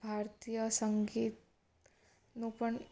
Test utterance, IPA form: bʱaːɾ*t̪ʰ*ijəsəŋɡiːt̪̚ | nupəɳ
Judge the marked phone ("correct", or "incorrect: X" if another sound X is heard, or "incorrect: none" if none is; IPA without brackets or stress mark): incorrect: t̪